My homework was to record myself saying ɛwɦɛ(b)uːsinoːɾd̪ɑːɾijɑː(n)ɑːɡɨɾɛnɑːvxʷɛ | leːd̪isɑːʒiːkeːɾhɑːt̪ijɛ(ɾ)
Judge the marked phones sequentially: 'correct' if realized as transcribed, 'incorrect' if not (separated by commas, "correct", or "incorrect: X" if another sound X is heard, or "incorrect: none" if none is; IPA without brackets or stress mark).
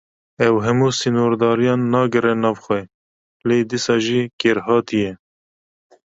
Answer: incorrect: m, incorrect: nː, incorrect: none